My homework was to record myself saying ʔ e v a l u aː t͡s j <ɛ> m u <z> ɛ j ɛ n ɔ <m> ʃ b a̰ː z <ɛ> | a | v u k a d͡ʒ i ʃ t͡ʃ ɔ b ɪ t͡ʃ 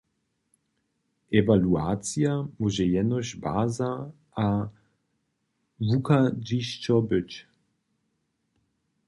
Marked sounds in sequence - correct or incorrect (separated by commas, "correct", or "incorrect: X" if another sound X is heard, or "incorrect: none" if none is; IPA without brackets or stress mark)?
incorrect: a, incorrect: ʒ, incorrect: none, incorrect: a